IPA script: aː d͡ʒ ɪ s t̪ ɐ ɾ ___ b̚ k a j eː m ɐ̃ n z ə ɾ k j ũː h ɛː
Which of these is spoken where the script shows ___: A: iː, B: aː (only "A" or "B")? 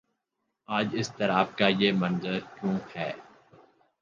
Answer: B